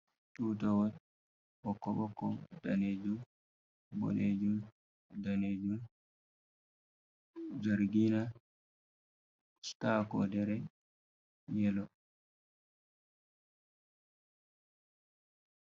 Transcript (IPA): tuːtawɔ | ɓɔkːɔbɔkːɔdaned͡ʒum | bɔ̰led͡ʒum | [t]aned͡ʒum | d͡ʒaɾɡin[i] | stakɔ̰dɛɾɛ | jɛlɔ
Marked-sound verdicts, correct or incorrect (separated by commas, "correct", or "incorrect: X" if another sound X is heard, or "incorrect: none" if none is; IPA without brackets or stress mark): incorrect: d, incorrect: a